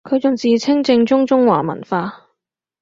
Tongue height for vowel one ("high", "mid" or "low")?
mid